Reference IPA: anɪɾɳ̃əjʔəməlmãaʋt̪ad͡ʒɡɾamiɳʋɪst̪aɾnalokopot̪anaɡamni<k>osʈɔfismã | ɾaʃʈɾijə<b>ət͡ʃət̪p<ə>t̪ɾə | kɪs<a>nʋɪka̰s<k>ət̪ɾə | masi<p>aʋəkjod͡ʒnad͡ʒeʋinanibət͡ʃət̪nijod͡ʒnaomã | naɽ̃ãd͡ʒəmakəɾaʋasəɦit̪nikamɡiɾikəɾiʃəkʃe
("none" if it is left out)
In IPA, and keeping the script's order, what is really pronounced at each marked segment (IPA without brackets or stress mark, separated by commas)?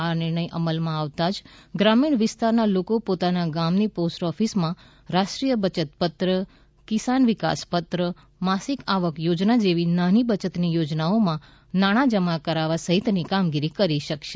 p, b, ə, a, p, k